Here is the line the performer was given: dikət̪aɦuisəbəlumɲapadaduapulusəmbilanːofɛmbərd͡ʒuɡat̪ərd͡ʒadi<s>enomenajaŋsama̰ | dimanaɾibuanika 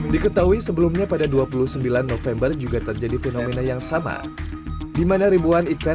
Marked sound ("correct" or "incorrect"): incorrect